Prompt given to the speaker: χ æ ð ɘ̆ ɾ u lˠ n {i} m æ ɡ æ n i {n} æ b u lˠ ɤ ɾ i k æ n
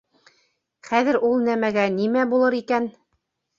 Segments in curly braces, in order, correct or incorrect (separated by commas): incorrect, incorrect